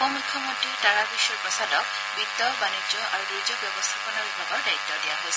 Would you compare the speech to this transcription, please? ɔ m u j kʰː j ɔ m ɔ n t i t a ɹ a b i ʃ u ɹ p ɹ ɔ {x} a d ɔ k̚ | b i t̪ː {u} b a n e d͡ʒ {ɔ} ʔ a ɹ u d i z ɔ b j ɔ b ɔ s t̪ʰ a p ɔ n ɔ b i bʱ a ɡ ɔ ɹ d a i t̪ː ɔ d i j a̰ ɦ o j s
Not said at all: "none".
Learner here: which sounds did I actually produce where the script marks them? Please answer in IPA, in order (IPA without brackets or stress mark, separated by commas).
s, ɔ, ɔ